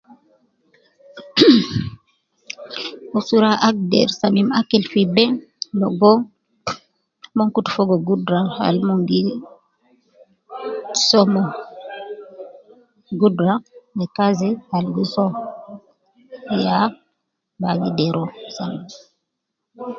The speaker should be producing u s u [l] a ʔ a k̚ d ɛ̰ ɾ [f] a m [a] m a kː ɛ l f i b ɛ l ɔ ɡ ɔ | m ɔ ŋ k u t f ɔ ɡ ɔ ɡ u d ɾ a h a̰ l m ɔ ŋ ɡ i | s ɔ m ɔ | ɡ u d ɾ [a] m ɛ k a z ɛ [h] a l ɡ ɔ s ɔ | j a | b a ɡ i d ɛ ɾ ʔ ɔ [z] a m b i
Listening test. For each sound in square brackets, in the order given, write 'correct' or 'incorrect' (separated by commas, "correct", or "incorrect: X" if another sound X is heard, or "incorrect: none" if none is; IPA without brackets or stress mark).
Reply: incorrect: ɾ, incorrect: s, incorrect: i, correct, correct, incorrect: s